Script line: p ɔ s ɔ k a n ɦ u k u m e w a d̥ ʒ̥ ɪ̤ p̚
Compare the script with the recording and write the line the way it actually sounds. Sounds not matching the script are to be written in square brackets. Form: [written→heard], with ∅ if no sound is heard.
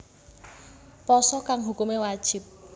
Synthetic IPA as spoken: p ɔ s ɔ k a [n→ŋ] ɦ u k u m e w a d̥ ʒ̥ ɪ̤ p̚